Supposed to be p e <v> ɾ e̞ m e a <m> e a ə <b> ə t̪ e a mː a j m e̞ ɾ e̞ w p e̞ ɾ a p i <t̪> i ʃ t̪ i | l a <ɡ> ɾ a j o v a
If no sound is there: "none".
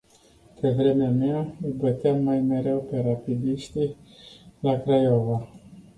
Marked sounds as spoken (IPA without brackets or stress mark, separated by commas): v, m, b, d̪, k